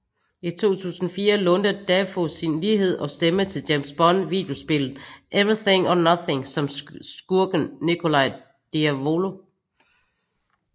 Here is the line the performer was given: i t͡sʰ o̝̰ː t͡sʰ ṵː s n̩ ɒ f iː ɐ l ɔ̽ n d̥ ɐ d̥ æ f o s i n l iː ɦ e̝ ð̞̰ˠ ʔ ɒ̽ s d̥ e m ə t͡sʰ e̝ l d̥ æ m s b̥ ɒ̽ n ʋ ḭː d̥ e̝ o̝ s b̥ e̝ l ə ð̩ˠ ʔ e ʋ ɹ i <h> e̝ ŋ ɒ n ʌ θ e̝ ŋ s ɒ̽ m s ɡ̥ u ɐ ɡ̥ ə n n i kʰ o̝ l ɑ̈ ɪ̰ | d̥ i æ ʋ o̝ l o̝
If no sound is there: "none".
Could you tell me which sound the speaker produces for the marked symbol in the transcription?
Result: θ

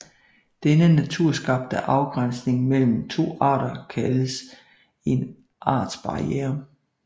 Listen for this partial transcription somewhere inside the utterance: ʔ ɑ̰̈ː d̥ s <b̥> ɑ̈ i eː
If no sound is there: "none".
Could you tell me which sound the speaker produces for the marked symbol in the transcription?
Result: b̥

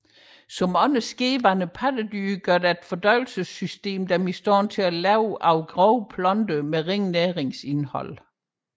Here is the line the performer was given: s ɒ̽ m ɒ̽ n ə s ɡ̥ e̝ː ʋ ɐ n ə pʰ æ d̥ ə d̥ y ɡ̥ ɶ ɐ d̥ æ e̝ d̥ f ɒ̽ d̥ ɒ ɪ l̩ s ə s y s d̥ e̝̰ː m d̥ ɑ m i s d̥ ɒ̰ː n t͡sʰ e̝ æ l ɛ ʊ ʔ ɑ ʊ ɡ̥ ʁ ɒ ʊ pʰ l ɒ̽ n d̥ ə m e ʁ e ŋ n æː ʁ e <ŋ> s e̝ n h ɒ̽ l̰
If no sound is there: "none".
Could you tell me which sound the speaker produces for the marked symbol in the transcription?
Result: ŋ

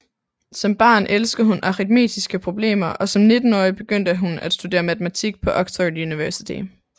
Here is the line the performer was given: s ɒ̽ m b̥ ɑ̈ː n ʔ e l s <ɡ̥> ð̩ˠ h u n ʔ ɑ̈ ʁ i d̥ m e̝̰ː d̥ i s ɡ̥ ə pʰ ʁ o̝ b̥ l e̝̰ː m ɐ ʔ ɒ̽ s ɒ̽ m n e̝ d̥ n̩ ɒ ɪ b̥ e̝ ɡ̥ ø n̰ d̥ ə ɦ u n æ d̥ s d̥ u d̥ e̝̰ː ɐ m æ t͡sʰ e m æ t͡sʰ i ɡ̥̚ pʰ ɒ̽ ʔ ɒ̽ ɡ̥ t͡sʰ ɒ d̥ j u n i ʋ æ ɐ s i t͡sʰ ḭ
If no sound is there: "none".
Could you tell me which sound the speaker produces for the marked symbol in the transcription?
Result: ɡ̥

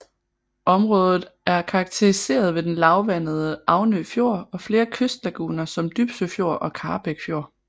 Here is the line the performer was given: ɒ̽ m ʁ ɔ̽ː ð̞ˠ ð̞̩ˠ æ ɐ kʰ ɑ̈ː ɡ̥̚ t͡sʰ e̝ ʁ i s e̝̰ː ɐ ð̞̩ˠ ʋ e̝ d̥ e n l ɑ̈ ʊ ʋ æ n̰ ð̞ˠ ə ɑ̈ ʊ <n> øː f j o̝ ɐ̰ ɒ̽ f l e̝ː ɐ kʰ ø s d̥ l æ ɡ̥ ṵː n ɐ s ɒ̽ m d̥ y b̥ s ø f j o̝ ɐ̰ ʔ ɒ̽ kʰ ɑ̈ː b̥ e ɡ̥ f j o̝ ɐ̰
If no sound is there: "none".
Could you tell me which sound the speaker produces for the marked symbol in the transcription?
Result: n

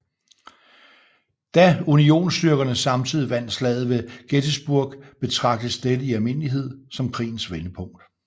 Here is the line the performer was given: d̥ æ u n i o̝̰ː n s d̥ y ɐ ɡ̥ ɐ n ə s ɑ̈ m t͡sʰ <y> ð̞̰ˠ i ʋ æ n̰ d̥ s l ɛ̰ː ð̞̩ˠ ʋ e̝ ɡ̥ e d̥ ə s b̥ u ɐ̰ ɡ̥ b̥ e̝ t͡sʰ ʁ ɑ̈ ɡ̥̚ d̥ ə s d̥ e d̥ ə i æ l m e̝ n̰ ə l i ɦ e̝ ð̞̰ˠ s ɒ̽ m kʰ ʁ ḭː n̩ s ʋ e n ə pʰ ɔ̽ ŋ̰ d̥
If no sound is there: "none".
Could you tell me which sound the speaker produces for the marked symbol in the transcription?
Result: i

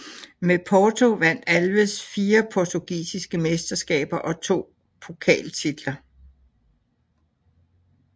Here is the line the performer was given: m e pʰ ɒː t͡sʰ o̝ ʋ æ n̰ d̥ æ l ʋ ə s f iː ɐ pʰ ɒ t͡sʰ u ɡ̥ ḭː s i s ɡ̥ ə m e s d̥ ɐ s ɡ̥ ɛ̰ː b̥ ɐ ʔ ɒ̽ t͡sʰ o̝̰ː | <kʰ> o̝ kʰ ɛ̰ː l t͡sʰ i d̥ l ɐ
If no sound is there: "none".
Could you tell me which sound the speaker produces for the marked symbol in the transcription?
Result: pʰ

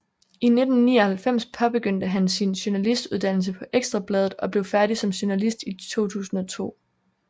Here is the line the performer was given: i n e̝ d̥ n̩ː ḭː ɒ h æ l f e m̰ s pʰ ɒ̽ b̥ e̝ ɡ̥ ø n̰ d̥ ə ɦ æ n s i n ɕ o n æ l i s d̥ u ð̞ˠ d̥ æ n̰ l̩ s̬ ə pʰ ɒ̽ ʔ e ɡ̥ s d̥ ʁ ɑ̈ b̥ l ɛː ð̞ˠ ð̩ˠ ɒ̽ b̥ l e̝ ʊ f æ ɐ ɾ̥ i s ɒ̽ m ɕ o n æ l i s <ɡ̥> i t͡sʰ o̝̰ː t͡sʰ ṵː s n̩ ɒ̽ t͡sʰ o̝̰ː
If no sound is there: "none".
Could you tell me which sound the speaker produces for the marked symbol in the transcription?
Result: d̥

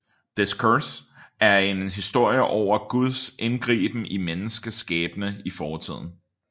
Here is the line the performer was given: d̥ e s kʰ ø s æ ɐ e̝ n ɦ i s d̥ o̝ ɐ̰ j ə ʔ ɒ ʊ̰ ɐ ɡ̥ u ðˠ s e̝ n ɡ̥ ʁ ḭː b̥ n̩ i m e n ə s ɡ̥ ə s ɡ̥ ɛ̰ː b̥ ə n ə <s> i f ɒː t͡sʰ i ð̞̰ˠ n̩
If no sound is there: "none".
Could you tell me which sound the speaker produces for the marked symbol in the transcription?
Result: none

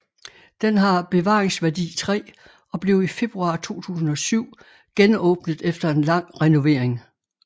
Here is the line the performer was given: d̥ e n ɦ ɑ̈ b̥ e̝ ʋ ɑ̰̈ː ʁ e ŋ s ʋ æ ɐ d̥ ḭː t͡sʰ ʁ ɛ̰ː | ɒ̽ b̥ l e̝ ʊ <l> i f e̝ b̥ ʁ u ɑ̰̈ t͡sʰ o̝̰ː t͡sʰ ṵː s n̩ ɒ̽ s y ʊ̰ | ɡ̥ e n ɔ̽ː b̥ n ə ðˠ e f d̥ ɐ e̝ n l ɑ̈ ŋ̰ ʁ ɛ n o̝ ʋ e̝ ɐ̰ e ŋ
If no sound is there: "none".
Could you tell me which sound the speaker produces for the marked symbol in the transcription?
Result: none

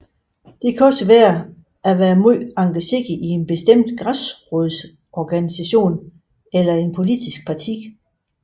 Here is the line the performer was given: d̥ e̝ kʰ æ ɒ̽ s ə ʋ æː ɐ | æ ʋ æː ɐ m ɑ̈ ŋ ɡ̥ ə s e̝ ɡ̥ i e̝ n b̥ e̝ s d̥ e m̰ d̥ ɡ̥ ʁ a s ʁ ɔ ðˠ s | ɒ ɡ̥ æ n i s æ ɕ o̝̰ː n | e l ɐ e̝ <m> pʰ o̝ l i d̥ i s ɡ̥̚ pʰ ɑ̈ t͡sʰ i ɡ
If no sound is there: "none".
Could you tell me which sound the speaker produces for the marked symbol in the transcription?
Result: n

